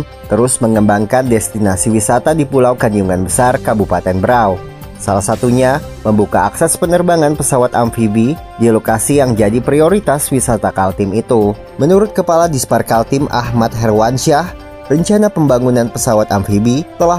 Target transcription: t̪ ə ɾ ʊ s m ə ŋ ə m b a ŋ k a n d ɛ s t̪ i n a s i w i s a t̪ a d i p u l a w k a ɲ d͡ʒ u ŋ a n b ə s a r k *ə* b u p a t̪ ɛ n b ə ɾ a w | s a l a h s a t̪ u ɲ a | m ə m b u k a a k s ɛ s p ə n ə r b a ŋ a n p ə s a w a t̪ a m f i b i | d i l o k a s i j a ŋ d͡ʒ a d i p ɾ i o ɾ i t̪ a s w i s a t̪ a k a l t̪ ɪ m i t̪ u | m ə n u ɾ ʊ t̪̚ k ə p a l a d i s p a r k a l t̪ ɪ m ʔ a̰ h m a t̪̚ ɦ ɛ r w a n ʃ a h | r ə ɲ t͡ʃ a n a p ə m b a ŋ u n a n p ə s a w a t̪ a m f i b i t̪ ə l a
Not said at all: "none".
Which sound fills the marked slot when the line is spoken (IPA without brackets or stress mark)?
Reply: a